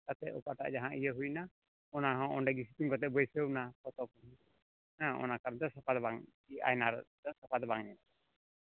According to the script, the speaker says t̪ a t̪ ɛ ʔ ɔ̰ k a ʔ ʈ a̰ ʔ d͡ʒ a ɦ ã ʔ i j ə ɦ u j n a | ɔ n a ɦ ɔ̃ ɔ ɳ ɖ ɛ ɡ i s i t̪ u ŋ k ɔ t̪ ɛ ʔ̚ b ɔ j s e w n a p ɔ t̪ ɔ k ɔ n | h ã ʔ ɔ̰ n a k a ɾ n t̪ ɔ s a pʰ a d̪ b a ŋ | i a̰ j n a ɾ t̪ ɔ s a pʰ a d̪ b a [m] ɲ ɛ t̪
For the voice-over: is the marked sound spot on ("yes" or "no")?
no